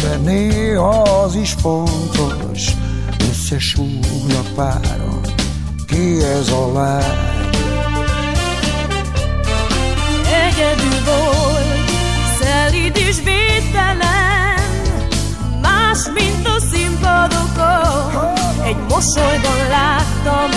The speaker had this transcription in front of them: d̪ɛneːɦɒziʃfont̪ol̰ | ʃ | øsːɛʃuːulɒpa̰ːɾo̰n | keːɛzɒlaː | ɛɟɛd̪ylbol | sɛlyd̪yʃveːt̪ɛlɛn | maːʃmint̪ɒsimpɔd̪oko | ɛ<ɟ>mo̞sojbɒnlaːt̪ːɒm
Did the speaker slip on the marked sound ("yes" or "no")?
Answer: no